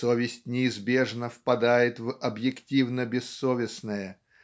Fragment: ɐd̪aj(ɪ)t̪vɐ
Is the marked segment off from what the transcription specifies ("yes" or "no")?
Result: no